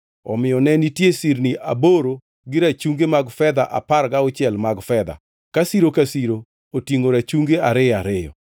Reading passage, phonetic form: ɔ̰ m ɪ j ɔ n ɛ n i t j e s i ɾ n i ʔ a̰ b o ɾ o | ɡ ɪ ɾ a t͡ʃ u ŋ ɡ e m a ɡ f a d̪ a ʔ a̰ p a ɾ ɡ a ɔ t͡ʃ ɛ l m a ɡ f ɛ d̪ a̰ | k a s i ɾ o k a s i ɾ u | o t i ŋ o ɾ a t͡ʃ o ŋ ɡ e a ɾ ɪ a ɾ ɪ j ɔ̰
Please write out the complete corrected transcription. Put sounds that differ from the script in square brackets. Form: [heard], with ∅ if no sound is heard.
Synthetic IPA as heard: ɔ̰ m ɪ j ɔ n ɛ n i t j e s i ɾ n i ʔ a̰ b o ɾ o | ɡ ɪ ɾ a t͡ʃ u ŋ ɡ e m a ɡ f [ɛ] d̪ a ʔ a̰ p a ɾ ɡ a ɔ t͡ʃ ɛ l m a ɡ f ɛ d̪ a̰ | k a s i ɾ o k a s i ɾ [o] | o t i ŋ o ɾ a t͡ʃ [u] ŋ ɡ e a ɾ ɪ a ɾ ɪ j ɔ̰